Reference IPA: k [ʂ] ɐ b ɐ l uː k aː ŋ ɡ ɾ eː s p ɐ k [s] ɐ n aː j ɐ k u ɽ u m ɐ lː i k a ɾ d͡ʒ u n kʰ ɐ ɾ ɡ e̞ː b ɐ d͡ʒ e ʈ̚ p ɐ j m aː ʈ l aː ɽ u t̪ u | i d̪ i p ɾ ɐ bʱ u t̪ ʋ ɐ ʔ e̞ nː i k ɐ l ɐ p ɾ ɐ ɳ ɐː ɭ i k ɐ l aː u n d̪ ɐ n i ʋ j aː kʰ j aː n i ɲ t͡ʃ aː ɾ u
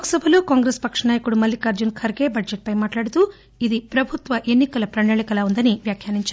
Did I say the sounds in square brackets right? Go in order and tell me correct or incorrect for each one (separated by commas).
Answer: incorrect, incorrect